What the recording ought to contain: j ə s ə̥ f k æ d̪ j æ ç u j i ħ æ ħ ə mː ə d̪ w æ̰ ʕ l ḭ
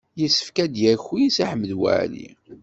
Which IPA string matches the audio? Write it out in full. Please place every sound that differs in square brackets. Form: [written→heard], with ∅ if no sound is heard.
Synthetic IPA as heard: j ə s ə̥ f k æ d̪ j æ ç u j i [ħ→s] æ ħ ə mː ə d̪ w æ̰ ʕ l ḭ